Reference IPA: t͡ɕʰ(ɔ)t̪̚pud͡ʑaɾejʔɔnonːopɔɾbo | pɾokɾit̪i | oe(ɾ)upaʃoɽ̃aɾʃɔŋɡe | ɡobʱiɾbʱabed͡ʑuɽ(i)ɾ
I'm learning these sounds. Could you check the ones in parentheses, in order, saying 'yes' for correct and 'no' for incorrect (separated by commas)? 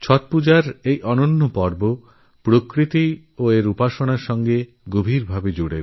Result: yes, yes, no